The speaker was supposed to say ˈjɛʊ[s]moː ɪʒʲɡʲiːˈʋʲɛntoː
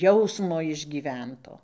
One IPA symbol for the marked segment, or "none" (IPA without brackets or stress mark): s